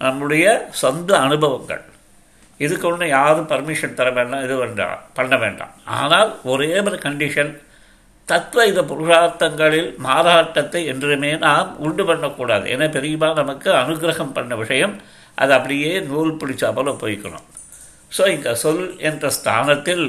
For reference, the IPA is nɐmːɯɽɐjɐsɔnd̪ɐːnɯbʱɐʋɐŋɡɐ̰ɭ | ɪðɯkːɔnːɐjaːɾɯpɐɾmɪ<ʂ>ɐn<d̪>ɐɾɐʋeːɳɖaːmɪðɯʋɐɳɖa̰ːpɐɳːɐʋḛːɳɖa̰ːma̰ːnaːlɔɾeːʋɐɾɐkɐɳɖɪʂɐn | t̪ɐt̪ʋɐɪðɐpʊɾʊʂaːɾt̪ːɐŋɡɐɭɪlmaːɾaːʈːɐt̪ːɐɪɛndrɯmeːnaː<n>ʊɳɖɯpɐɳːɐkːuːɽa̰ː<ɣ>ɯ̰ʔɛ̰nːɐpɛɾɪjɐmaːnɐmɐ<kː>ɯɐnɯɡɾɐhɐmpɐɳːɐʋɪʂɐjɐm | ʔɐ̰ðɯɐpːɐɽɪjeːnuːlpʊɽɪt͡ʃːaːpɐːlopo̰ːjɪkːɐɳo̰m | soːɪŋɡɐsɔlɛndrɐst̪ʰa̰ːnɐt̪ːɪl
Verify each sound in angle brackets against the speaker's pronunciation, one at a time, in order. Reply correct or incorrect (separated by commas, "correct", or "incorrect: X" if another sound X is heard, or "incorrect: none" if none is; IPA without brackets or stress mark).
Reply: correct, incorrect: t̪, incorrect: m, incorrect: ð, correct